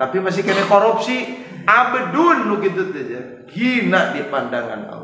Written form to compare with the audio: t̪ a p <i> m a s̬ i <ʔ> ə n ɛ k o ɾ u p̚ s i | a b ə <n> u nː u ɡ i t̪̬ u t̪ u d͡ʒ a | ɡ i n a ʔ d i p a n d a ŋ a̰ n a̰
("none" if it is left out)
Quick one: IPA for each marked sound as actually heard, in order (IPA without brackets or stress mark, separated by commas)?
i, k, d